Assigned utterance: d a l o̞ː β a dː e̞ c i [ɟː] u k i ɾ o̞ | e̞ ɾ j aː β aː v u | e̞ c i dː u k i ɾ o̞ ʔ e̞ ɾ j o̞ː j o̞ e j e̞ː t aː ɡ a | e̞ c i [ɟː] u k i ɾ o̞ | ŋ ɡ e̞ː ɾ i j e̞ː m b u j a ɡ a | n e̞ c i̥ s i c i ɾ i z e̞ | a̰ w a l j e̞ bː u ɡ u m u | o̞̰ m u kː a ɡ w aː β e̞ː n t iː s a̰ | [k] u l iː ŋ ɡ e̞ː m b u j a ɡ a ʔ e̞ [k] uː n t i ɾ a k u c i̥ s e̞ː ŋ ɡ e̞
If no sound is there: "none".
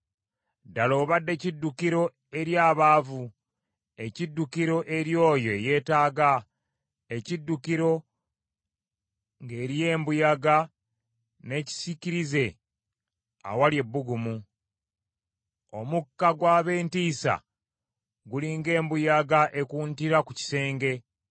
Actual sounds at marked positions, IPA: dː, dː, ɡ, k

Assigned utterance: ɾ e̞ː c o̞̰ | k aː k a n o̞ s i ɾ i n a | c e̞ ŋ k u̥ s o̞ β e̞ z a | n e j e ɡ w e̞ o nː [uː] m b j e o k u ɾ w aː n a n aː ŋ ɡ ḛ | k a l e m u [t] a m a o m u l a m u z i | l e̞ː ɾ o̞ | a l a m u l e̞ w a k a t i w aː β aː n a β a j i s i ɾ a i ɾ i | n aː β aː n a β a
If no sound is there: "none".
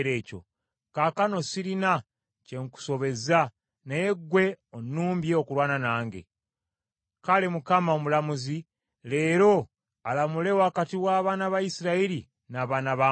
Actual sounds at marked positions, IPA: uː, k

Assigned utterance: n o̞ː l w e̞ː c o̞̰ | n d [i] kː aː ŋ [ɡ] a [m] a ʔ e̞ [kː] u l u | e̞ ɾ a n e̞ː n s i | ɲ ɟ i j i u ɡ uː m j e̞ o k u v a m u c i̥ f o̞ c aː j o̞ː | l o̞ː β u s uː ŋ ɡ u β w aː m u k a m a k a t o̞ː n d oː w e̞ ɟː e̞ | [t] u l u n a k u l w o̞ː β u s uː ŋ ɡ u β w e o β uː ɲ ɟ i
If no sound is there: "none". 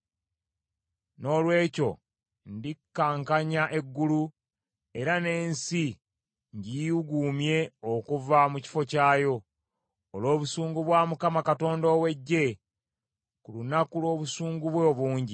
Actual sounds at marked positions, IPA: i, k, ɲ, ɡː, k

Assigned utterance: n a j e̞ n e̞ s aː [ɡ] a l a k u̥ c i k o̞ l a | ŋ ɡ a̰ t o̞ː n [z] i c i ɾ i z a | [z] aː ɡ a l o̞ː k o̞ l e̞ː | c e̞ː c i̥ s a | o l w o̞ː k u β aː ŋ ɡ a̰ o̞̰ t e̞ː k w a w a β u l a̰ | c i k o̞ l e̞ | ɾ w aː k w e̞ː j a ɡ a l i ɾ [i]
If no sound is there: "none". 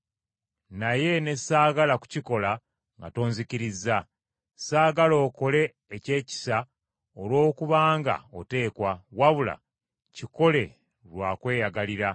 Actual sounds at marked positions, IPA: ɡ, z, s, a

